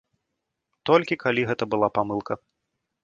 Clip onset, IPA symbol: t̪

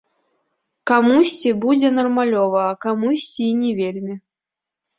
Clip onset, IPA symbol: k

